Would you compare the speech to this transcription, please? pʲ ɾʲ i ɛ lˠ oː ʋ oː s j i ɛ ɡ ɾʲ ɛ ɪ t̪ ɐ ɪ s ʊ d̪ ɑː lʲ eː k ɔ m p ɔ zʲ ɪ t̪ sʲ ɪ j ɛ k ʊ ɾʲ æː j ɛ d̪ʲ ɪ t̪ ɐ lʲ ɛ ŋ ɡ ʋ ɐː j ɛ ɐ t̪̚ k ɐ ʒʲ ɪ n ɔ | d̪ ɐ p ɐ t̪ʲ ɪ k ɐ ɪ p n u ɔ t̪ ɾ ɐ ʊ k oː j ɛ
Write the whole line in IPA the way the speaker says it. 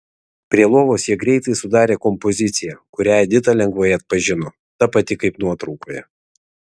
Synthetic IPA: pʲ ɾʲ i ɛ lˠ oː ʋ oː s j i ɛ ɡ ɾʲ ɛ ɪ t̪ ɐ ɪ s ʊ d̪ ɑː ɾʲ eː k ɔ m p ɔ zʲ ɪ t̪ sʲ ɪ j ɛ k ʊ ɾʲ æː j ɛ d̪ʲ ɪ t̪ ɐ lʲ ɛ ŋ ɡ ʋ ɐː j ɛ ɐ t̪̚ p ɐ ʒʲ ɪ n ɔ | t̪ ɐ p ɐ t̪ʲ ɪ k ɐ ɪ p n u ɔ t̪ ɾ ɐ ʊ k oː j ɛ